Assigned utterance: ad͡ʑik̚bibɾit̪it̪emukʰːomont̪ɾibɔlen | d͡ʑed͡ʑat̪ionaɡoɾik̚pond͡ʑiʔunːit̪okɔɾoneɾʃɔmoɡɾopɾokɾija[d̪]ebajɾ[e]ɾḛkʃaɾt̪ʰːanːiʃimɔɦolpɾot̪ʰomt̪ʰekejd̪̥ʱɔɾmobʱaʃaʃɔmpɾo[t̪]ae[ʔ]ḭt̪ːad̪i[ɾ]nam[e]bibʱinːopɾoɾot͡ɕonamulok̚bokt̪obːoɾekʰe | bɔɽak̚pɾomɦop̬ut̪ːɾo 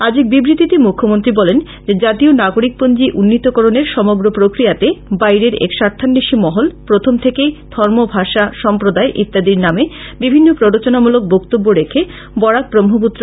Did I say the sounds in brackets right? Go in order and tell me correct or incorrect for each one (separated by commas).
incorrect, correct, incorrect, correct, correct, correct